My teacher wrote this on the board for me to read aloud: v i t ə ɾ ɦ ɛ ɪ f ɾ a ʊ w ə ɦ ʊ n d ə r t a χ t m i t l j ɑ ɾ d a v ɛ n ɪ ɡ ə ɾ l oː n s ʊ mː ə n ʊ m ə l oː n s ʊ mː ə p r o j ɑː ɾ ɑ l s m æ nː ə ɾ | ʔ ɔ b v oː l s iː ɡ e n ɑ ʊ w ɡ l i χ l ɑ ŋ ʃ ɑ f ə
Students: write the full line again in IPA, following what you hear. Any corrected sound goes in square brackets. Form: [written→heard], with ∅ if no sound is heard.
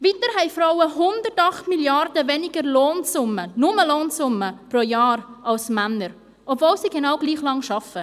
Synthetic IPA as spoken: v i t ə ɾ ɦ ɛ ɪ f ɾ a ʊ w ə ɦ ʊ n d ə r t [a→ɑ] χ t m i [t→∅] l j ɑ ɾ d [a→ə] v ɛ n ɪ ɡ ə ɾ l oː n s ʊ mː ə n ʊ m ə l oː n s ʊ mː ə p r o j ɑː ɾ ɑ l s m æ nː ə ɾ | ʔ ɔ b v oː l s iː ɡ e n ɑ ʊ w ɡ l [i→iː] χ l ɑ ŋ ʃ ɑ f ə